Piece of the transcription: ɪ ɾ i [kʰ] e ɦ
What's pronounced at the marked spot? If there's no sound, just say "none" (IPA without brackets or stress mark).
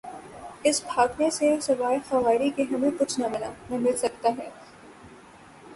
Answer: k